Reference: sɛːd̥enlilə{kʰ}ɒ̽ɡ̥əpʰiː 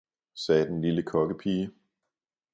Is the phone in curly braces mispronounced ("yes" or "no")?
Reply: no